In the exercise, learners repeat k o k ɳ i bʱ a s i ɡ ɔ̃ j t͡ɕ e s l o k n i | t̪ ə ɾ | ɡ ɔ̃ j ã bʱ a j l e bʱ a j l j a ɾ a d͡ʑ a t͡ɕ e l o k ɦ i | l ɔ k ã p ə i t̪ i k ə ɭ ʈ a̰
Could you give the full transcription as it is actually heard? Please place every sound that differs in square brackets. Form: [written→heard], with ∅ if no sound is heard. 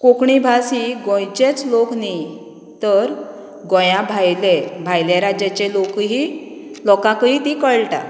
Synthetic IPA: k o k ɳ i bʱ a s i ɡ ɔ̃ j t͡ɕ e [s→t͡s] l o k n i | t̪ ə ɾ | ɡ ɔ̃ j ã bʱ a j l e bʱ a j l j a ɾ a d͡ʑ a t͡ɕ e l o k ɦ i | l ɔ k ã [p→k] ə i t̪ i k ə ɭ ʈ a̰